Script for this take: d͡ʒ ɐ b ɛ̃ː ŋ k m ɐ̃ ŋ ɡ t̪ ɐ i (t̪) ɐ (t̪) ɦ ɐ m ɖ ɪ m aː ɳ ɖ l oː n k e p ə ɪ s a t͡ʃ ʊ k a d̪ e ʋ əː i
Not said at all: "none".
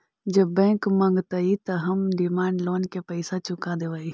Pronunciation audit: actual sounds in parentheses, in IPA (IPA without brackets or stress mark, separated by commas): t̪, none